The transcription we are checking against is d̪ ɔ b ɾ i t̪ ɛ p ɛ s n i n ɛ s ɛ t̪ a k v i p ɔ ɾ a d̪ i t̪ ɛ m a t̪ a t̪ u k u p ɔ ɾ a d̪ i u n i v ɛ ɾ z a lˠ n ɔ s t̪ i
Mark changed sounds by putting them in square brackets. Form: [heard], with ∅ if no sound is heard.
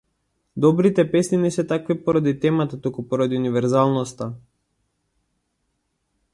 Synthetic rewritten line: d̪ ɔ b ɾ i t̪ ɛ p ɛ s n i n ɛ s ɛ t̪ a k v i p ɔ ɾ a d̪ i t̪ ɛ m a t̪ a t̪ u k u p ɔ ɾ a d̪ i u n i v ɛ ɾ z a lˠ n ɔ s t̪ [a]